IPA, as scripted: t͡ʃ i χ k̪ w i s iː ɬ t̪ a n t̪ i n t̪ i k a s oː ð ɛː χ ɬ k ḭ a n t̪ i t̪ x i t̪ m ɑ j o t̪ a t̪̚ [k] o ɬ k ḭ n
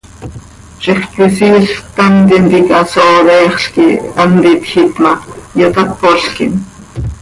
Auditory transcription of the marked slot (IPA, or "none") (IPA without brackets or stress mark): p